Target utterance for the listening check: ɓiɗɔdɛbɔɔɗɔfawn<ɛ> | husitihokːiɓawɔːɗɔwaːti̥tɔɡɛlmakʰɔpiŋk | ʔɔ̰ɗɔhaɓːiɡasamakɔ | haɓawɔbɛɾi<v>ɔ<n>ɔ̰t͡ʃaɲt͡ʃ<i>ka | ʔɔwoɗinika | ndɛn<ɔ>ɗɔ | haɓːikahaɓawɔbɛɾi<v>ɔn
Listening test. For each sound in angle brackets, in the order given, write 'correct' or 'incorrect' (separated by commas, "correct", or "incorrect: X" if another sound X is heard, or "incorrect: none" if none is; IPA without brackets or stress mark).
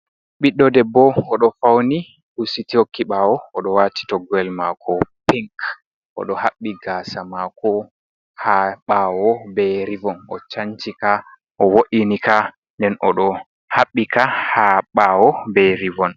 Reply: incorrect: i, correct, correct, correct, correct, correct